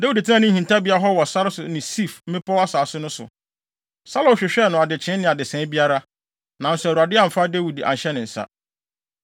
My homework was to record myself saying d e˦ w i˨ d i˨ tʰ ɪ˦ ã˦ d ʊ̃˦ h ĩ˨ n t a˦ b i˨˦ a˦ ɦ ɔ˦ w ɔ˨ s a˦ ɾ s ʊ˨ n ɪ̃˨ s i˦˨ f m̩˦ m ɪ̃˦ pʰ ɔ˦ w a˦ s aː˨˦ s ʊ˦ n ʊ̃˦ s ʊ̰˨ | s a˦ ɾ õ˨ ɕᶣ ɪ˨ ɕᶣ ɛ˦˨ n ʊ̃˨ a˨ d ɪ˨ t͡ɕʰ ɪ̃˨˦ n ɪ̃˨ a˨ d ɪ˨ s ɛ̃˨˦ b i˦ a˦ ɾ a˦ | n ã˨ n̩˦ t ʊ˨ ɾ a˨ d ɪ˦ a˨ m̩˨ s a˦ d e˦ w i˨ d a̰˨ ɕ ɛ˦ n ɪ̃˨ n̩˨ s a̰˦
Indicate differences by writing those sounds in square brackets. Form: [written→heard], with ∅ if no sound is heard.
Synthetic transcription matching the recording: d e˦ w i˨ d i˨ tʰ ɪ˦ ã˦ [d→n] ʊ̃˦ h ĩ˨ n t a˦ b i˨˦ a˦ ɦ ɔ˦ w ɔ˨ s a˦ ɾ s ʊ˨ n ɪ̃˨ s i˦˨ f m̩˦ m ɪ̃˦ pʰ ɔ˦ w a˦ s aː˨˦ s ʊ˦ n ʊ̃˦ s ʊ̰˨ | s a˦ [ɾ→l] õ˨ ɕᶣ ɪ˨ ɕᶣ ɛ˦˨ n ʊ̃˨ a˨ d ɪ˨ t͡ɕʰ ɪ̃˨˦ n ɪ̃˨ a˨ d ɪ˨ s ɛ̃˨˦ b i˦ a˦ ɾ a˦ | n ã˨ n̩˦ [t→s] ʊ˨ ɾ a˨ d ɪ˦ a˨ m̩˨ [s→f] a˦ d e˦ w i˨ d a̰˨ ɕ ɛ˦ n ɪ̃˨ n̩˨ s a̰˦